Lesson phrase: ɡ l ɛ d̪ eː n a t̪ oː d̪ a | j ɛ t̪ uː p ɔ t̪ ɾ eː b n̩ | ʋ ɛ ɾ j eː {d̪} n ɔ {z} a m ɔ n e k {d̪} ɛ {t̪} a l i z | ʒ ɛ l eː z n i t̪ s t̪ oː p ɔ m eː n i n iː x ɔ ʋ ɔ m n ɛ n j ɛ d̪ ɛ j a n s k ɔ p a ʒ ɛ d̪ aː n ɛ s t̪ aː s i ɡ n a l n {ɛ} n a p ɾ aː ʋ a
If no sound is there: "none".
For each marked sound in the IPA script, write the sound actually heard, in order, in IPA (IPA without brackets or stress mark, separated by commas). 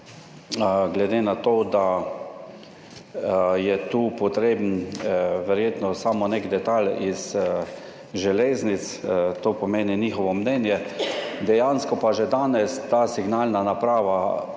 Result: t̪, s, d̪, t̪, a